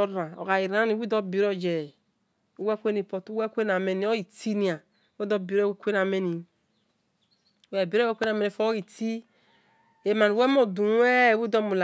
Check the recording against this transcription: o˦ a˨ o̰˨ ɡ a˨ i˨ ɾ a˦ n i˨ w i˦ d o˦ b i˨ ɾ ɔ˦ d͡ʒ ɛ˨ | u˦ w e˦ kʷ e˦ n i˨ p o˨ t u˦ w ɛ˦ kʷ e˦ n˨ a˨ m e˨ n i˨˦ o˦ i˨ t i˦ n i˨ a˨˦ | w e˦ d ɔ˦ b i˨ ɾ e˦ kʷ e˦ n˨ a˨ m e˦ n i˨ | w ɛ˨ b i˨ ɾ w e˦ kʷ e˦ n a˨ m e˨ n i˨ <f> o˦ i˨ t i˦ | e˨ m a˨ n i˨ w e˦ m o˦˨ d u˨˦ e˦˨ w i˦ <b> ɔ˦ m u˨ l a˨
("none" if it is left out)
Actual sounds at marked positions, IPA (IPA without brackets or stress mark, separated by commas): f, d